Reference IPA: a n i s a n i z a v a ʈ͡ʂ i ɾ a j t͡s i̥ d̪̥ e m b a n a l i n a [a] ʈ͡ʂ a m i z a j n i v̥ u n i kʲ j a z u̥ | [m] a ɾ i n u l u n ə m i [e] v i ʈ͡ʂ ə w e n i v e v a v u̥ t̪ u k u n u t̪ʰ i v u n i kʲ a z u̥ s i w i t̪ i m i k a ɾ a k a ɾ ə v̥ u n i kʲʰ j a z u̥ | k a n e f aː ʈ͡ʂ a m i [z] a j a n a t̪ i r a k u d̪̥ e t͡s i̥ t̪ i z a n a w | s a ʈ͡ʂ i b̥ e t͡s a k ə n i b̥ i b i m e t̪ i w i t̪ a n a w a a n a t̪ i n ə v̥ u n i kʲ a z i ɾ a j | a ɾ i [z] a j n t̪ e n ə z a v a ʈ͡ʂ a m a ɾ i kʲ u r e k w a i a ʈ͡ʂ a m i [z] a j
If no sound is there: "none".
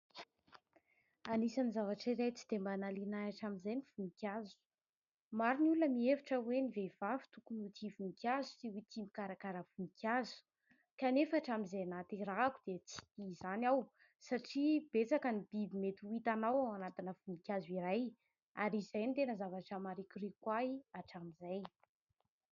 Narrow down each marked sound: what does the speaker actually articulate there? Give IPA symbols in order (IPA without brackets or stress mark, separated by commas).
a, m, e, z, z, z